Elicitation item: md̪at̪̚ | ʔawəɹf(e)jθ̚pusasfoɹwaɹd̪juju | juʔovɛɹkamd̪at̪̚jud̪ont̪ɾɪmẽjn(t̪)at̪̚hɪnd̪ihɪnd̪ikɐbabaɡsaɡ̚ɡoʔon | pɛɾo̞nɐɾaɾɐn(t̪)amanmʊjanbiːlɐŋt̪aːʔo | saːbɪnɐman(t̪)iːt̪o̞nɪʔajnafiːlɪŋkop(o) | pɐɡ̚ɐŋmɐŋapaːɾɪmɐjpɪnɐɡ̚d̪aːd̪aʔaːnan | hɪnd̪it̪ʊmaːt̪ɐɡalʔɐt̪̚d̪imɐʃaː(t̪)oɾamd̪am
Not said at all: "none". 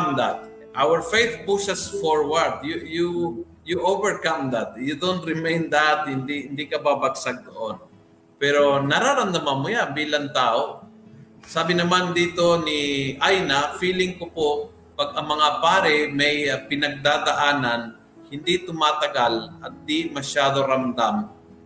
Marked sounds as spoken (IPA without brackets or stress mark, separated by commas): e, d̪, d̪, d̪, o, d̪